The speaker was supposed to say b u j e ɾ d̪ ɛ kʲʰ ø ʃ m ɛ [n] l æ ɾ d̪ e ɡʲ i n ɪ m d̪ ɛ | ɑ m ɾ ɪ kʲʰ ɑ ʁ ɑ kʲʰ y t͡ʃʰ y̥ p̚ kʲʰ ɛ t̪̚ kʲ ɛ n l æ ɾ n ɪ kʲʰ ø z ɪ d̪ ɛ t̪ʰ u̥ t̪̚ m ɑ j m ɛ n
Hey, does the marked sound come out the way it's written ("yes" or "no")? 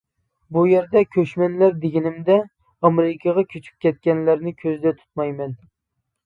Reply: yes